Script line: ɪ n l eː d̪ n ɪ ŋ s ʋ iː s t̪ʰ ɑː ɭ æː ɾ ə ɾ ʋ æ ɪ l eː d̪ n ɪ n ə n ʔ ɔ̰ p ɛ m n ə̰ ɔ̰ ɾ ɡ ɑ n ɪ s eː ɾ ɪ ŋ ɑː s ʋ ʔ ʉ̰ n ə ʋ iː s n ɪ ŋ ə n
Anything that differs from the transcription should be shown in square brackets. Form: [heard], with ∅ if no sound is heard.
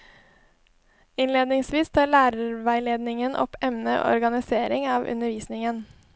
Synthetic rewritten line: ɪ n l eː d̪ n ɪ ŋ s ʋ iː s t̪ʰ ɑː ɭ æː ɾ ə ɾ ʋ æ ɪ l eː d̪ n ɪ [ŋ] ə n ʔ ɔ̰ p ɛ m n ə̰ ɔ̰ ɾ ɡ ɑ n ɪ s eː ɾ ɪ ŋ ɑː [∅] ʋ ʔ ʉ̰ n ə ʋ iː s n ɪ ŋ ə n